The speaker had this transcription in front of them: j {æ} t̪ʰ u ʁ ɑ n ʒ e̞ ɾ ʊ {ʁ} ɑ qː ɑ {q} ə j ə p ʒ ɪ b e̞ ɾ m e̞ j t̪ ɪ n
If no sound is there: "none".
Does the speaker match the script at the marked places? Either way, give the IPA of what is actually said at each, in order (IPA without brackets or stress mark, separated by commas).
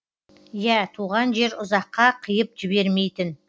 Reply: æ, z, qʰ